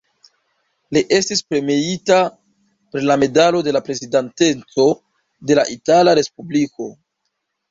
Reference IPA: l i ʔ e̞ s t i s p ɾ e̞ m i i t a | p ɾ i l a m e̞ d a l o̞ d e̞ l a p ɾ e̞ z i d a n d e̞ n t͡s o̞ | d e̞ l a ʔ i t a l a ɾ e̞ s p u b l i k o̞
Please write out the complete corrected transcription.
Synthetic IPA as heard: l i ʔ e̞ s t i s p ɾ e̞ m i i t a | p ɾ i l a m e̞ d a l o̞ d e̞ l a p ɾ e̞ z i d a n t e̞ n t͡s o̞ | d e̞ l a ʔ i t a l a ɾ e̞ s p u b l i k o̞